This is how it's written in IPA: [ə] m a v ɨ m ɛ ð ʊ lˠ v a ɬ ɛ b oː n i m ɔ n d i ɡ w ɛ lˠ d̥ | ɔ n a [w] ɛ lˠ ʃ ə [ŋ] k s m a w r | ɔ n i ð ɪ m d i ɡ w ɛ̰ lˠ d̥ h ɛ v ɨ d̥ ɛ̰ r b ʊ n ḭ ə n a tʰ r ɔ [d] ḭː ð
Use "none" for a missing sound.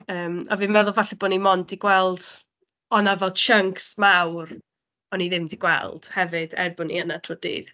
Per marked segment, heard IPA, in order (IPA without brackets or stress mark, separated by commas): əː, v, ŋ, d